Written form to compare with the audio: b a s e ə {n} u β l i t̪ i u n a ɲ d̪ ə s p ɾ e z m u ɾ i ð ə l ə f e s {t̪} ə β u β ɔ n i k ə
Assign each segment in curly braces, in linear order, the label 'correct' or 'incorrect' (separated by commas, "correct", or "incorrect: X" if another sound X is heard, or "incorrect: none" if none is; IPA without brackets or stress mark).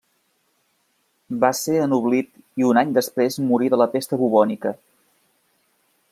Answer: correct, correct